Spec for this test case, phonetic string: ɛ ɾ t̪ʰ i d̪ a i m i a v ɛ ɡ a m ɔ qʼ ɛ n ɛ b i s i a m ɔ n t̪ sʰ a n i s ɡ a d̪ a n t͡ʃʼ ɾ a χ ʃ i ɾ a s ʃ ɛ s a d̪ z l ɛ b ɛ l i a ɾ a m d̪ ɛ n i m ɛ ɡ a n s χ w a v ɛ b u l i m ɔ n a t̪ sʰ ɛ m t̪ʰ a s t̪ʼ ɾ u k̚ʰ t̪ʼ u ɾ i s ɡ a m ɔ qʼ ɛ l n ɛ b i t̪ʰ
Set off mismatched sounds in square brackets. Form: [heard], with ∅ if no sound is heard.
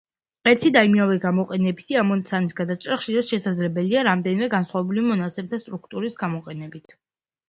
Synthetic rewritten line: ɛ ɾ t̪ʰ i d̪ a i m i a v ɛ ɡ a m ɔ qʼ ɛ n ɛ b i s i a m ɔ n t̪ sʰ a n i s ɡ a d̪ a [∅] t͡ʃʼ ɾ a χ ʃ i ɾ a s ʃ ɛ s a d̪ z l ɛ b ɛ l i a ɾ a m d̪ ɛ n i m ɛ ɡ a n s χ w a v ɛ b u l i m ɔ n a t̪ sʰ ɛ m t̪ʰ a s t̪ʼ ɾ u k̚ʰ t̪ʼ u ɾ i s ɡ a m ɔ qʼ ɛ [∅] n ɛ b i t̪ʰ

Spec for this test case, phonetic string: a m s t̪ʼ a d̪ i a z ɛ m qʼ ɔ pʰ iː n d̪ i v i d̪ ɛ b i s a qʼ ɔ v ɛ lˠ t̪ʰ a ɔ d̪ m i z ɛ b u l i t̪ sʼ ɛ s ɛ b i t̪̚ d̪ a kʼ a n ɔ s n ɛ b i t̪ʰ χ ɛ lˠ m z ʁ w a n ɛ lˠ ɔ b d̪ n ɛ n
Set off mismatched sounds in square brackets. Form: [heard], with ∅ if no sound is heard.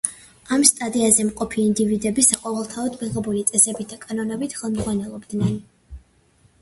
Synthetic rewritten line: a m s t̪ʼ a d̪ i a z ɛ m qʼ ɔ pʰ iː n d̪ i v i d̪ ɛ b i s a qʼ ɔ v ɛ lˠ t̪ʰ a ɔ d̪ m i [ʁ] ɛ b u l i t̪ sʼ ɛ s ɛ b i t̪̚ d̪ a kʼ a n ɔ [∅] n ɛ b i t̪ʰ χ ɛ lˠ m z ʁ w a n ɛ lˠ ɔ b d̪ n ɛ n

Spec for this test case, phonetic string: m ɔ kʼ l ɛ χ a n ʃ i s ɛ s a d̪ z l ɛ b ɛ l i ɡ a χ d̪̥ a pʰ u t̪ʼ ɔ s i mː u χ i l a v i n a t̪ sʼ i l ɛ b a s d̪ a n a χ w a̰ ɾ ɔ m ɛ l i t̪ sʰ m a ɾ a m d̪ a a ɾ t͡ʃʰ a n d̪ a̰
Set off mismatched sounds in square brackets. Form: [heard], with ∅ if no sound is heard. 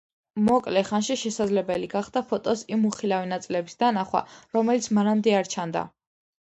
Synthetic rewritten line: m ɔ kʼ l ɛ χ a n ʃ i [ʃ] ɛ s a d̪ z l ɛ b ɛ l i ɡ a χ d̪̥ a pʰ [ɔ] t̪ʼ ɔ s i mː u χ i l a v i n a t̪ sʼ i l ɛ b [i] s d̪ a n a χ w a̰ ɾ ɔ m ɛ l i t̪ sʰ m a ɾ a m d̪ [ɛ] a ɾ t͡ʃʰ a n d̪ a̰

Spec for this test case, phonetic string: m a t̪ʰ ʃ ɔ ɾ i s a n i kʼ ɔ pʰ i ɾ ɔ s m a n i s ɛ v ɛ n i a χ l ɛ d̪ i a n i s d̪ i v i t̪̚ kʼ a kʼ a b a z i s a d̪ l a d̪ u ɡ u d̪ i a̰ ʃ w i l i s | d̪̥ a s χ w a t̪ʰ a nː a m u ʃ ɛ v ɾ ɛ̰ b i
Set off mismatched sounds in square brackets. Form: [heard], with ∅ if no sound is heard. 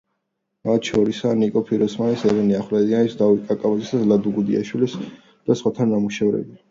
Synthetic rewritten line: m a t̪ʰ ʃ ɔ ɾ i s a n i kʼ ɔ pʰ i ɾ ɔ s m a n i s ɛ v ɛ n i a χ l ɛ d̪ i a n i s d̪ [a] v i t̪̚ kʼ a kʼ a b a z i s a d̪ l a d̪ u ɡ u d̪ i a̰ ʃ w i l i s | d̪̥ a s χ w a t̪ʰ a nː a m u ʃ ɛ v ɾ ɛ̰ b i

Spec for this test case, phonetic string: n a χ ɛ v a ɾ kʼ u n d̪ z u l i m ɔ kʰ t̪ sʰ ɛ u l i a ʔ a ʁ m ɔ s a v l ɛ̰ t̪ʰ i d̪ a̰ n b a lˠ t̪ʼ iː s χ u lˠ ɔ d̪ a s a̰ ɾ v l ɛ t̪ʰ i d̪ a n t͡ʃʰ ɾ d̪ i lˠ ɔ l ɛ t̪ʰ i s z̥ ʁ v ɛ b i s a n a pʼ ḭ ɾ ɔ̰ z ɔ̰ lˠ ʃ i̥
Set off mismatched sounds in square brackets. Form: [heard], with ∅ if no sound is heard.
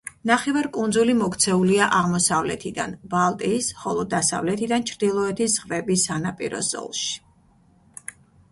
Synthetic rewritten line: n a χ ɛ v a ɾ kʼ u n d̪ z u l i m ɔ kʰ t̪ sʰ ɛ u l i a ʔ a ʁ m ɔ s a v l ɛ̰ t̪ʰ i d̪ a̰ n b a lˠ t̪ʼ iː s χ [ɔ] lˠ ɔ d̪ a s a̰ [∅] v l ɛ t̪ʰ i d̪ a n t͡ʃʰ ɾ d̪ i lˠ ɔ [∅] ɛ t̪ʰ i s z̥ ʁ v ɛ b i s a n a pʼ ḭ ɾ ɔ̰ z ɔ̰ lˠ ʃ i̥

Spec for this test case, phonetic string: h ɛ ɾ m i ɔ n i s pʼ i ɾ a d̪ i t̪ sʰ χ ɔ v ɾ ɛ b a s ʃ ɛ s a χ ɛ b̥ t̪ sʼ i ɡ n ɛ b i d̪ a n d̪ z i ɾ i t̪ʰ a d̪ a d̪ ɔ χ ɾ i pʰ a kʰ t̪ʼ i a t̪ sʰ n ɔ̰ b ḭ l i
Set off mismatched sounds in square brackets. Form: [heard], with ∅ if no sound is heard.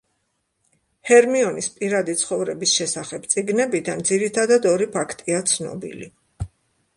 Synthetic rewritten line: h ɛ ɾ m i ɔ n i s pʼ i ɾ a d̪ i t̪ sʰ χ ɔ v ɾ ɛ b [i] s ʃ ɛ s a χ ɛ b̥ t̪ sʼ i ɡ n ɛ b i d̪ a n d̪ z i ɾ i t̪ʰ a d̪ a d̪ ɔ [∅] ɾ i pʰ a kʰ t̪ʼ i a t̪ sʰ n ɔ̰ b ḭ l i

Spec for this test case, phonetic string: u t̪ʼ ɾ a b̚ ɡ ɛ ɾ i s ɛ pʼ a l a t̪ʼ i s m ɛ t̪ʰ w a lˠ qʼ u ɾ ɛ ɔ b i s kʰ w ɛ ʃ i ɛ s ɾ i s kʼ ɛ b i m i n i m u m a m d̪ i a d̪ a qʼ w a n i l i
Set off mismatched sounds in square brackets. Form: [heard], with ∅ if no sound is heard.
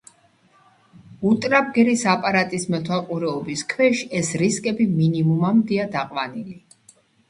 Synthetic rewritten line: u t̪ʼ ɾ a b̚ ɡ ɛ ɾ i s [a] pʼ a [ɾ] a t̪ʼ i s m ɛ t̪ʰ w a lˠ qʼ u ɾ ɛ ɔ b i s kʰ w ɛ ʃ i ɛ s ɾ i s kʼ ɛ b i m i n i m u m a m d̪ i a d̪ a qʼ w a n i l i

